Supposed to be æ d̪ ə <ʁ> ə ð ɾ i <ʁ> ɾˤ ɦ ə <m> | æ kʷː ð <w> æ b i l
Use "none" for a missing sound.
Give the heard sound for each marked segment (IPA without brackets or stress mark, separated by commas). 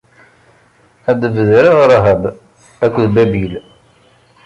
v, ʁ, b, b